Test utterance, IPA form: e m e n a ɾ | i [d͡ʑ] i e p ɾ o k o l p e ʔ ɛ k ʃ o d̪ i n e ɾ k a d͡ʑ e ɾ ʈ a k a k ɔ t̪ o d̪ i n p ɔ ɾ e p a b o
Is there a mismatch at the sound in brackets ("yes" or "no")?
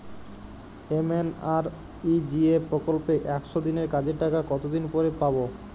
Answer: no